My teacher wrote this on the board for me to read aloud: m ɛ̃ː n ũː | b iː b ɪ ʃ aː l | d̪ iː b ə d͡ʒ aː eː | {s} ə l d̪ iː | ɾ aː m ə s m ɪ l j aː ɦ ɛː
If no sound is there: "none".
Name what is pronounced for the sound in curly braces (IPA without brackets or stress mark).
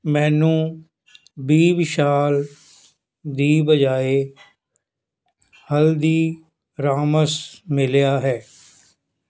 h